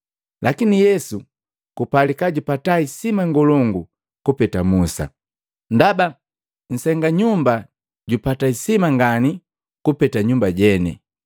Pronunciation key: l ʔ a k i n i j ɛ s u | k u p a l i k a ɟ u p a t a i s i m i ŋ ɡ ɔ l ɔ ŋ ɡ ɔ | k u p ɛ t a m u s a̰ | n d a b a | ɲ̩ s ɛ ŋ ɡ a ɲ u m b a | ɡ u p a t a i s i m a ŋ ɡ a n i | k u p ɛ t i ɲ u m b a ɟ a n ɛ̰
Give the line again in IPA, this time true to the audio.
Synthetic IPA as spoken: l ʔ a k i n i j ɛ s u | k u p a l i k a ɟ u p a t a i s i m a ŋ ɡ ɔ l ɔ ŋ ɡ u | k u p ɛ t a m u s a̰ | n d a b a | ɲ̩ s ɛ ŋ ɡ a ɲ u m b a | ɟ u p a t a i s i m a ŋ ɡ a n i | k u p ɛ t a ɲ u m b a ɟ ɛ n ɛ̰